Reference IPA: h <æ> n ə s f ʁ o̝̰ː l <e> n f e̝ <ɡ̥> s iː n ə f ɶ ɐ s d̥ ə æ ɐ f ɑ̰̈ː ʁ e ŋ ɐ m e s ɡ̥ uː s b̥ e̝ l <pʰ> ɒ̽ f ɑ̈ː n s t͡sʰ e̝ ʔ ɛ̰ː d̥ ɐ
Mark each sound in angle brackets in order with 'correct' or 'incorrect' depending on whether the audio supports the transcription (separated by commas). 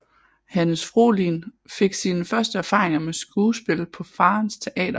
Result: correct, incorrect, correct, correct